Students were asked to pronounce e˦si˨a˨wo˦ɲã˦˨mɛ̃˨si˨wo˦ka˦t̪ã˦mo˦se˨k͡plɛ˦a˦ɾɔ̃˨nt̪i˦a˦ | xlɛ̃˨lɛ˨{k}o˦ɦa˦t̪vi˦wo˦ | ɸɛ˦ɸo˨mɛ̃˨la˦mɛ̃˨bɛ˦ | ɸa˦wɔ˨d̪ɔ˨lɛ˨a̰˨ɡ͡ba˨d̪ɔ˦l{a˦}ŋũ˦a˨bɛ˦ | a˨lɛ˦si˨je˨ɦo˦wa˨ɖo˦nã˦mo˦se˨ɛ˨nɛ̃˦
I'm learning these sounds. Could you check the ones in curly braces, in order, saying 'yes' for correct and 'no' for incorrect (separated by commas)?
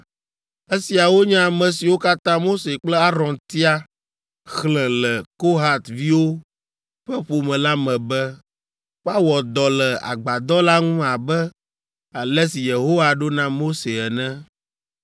yes, yes